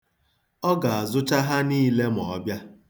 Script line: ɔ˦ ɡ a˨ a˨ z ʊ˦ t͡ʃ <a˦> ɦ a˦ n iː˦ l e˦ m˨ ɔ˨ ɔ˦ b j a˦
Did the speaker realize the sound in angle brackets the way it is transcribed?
yes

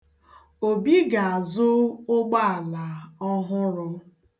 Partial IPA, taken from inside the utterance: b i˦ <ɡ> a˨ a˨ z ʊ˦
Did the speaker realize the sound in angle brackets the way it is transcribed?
yes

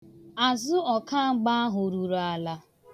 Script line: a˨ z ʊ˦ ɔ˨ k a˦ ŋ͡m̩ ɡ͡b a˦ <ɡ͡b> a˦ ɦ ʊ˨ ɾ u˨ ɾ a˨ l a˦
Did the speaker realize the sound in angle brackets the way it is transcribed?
no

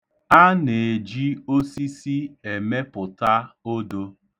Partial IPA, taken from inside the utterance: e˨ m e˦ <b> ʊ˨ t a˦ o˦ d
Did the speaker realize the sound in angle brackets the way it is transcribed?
no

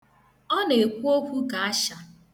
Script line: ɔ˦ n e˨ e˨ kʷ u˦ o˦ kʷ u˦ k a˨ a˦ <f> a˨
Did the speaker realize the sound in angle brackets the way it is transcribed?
no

